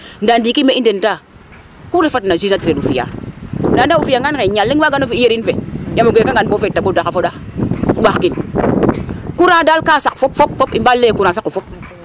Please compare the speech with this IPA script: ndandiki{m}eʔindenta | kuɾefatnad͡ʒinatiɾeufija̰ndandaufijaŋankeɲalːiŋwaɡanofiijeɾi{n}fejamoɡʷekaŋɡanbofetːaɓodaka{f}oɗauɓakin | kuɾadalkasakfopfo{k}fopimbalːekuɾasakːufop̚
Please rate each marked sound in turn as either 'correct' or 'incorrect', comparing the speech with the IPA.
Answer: correct, correct, correct, incorrect

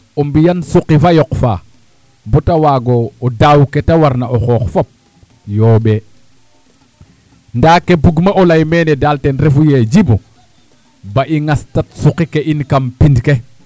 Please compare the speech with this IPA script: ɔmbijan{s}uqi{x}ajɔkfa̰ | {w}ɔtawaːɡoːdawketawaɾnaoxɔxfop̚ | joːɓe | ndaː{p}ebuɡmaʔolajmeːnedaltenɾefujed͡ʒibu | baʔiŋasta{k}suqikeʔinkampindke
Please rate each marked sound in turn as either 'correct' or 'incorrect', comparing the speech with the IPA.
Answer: correct, incorrect, incorrect, incorrect, incorrect

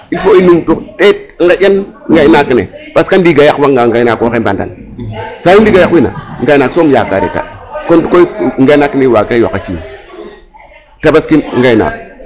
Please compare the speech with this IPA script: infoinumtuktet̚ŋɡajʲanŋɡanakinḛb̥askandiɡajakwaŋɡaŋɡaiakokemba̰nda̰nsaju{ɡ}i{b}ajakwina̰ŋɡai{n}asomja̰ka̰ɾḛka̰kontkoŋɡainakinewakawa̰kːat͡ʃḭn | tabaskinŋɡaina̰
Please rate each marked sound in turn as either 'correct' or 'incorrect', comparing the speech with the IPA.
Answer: incorrect, incorrect, correct

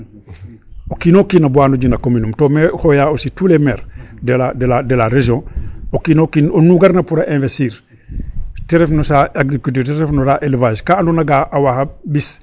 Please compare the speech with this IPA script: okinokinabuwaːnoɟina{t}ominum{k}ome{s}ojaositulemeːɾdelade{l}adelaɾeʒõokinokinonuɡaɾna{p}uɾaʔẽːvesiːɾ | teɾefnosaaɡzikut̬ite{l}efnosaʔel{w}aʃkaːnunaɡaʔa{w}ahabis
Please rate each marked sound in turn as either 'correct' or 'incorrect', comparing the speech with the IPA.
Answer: incorrect, incorrect, incorrect, correct, correct, incorrect, incorrect, correct

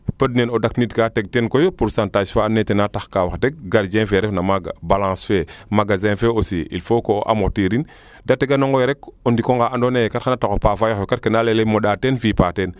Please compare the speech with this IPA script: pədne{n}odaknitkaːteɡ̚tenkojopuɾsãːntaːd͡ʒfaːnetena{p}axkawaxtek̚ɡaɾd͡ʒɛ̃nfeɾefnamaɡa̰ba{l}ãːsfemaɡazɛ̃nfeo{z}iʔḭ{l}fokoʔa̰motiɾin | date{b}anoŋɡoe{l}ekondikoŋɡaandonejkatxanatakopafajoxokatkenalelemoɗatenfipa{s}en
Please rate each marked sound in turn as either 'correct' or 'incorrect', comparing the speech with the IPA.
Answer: correct, incorrect, correct, incorrect, correct, incorrect, incorrect, incorrect

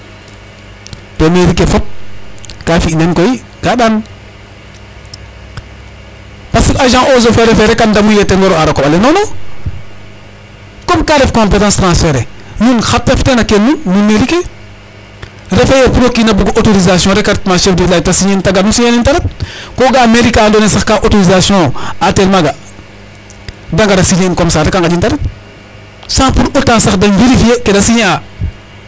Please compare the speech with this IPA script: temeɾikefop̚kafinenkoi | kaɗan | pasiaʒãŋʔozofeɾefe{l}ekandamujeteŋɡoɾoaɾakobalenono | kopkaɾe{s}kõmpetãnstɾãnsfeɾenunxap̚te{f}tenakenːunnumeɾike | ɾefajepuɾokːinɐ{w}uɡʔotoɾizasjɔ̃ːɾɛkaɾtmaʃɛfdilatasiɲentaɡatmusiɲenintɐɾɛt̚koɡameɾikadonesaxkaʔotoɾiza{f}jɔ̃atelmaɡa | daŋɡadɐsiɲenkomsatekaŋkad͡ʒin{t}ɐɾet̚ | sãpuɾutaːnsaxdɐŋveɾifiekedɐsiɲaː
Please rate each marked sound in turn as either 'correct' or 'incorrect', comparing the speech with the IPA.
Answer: incorrect, incorrect, correct, incorrect, incorrect, correct

